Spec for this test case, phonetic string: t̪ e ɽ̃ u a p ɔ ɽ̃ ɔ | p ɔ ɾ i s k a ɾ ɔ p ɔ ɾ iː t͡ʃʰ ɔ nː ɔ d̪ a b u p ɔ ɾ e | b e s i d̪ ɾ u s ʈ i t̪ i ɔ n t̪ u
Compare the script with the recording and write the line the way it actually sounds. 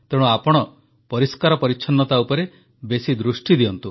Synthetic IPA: t̪ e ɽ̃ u a p ɔ ɽ̃ ɔ | p ɔ ɾ i s k a ɾ ɔ p ɔ ɾ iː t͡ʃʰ ɔ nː ɔ t̪ a u p ɔ ɾ e | b e s i d̪ ɾ u s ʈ i d̪ i ɔ n t̪ u